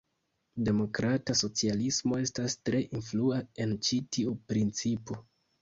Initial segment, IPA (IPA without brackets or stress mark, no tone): d